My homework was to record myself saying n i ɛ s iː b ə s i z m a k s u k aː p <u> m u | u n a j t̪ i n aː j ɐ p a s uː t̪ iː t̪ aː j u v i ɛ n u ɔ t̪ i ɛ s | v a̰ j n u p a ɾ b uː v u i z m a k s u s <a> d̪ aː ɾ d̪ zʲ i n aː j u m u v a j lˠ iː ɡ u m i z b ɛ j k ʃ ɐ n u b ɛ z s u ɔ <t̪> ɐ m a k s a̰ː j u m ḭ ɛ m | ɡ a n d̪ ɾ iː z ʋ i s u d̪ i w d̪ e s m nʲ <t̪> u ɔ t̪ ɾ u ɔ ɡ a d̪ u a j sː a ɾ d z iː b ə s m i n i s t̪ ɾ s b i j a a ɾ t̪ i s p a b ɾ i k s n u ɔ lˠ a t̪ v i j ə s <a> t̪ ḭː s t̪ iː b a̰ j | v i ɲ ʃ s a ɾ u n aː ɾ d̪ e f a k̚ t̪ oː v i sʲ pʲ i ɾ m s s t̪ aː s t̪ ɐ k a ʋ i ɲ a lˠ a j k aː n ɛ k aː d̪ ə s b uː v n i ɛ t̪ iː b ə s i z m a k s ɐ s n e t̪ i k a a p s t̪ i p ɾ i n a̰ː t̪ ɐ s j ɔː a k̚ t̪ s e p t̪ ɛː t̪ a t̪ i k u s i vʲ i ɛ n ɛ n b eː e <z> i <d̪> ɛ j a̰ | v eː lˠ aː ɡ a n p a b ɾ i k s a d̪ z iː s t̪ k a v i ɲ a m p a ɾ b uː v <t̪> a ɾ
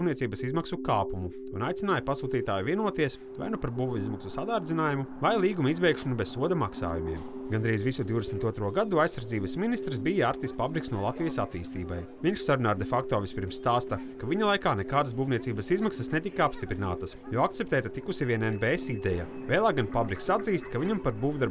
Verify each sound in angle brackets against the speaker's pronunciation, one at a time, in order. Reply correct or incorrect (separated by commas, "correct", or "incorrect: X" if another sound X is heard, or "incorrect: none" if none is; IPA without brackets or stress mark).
correct, correct, incorrect: d̪, correct, correct, incorrect: s, correct, incorrect: d̪